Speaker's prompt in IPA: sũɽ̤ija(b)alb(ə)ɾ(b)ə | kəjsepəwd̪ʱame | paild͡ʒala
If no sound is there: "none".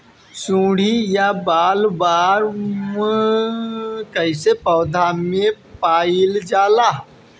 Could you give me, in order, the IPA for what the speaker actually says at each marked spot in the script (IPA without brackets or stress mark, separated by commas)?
b, a, m